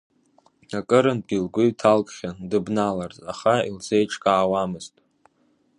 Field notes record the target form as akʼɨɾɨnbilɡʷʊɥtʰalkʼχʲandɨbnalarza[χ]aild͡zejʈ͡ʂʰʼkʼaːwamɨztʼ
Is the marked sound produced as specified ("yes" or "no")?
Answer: yes